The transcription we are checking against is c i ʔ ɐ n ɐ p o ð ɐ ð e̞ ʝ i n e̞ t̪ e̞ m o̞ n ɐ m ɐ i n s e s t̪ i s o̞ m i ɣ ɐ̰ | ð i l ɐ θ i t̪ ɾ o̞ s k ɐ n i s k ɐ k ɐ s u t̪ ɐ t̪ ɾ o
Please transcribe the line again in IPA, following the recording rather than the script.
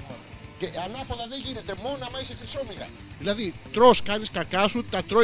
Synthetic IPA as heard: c e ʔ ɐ n ɐ p o ð ɐ ð e̞ ʝ i n e̞ t̪ e̞ m o̞ n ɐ m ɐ i s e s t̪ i s o̞ m i ɣ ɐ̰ | ð i l ɐ ð i t̪ ɾ o̞ s k ɐ n i s k ɐ k ɐ s u t̪ ɐ t̪ ɾ o